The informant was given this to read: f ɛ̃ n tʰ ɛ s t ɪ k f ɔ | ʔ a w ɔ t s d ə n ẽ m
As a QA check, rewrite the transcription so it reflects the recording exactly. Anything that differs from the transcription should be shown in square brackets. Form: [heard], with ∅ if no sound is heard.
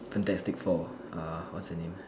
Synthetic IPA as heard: f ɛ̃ n [t] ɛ s t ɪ k f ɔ | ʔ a w ɔ t s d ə n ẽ m